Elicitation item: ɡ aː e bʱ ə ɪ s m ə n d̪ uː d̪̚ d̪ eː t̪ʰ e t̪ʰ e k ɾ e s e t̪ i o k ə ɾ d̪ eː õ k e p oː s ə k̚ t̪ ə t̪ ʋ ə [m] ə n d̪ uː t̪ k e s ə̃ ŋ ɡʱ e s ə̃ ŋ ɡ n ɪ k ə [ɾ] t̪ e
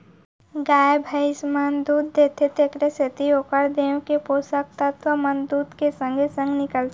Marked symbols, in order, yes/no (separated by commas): yes, no